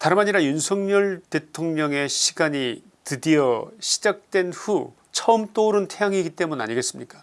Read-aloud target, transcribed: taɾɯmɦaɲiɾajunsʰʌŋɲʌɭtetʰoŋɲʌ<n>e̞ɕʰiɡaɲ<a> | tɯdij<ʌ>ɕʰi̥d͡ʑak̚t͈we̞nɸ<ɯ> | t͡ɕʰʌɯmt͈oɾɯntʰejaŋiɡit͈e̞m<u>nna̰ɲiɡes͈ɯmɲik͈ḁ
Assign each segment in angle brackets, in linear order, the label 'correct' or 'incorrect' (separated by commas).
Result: incorrect, incorrect, correct, incorrect, correct